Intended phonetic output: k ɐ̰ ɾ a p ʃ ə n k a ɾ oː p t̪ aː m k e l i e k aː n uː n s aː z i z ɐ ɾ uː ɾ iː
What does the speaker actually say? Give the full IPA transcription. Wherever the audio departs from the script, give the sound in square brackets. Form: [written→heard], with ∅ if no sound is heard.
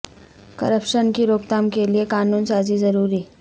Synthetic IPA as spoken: k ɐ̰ ɾ [a→ə] p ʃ ə n k [a→i] ɾ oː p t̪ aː m k e l i e k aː n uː n s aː z i z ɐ ɾ uː ɾ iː